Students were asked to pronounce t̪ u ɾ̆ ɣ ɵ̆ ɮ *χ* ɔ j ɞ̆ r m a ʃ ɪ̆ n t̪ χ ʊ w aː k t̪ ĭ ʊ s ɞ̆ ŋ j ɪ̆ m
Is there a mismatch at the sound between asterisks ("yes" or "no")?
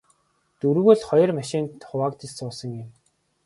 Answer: no